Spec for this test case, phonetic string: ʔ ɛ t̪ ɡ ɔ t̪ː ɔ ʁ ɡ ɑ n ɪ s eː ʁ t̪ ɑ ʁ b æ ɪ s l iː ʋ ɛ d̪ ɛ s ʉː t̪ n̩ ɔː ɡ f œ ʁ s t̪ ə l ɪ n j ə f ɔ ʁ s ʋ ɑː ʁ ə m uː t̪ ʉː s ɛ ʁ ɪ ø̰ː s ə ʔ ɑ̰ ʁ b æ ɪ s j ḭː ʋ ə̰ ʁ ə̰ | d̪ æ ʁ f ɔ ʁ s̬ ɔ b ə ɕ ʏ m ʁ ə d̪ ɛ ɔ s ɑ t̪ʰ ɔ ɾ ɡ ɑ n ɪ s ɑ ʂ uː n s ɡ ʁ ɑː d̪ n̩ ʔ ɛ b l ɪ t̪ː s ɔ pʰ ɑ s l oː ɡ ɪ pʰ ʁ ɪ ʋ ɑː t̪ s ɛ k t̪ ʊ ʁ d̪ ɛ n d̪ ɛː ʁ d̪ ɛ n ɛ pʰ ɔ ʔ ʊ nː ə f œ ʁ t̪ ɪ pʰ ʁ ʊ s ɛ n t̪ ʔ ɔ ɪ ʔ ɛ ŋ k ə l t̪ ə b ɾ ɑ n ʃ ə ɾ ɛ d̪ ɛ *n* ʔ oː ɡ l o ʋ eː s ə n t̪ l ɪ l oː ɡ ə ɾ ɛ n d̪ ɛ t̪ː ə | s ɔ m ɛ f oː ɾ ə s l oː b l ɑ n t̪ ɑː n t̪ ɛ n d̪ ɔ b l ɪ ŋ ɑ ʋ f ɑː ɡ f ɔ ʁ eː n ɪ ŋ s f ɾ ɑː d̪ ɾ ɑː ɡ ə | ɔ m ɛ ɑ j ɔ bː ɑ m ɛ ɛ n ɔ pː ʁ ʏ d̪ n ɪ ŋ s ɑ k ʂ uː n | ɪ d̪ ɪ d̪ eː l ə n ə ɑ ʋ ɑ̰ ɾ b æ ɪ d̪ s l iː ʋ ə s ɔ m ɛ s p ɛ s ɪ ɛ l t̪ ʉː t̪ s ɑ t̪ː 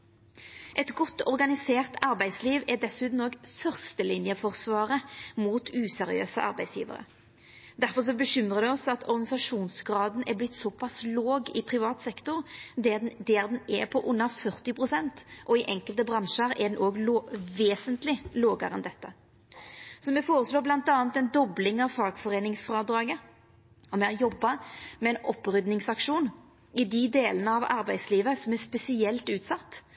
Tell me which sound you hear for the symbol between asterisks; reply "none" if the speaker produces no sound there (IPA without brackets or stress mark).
n